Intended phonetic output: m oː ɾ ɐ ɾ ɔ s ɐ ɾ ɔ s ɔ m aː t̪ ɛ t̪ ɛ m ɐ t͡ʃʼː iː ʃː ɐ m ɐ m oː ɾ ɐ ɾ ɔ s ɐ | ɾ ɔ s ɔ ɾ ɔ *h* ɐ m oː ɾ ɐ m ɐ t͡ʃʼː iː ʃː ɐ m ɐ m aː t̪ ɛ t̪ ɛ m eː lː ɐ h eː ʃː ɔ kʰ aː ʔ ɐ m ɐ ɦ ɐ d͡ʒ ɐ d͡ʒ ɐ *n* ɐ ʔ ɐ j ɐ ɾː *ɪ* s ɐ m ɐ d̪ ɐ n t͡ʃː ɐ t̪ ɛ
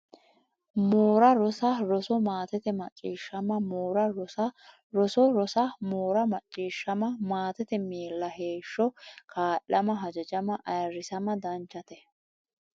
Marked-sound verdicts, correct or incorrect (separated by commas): incorrect, incorrect, correct